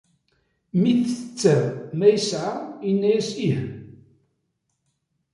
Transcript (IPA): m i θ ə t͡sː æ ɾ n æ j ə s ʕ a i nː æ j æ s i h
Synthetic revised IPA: m i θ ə t͡sː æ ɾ m æ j ə s ʕ a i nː æ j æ s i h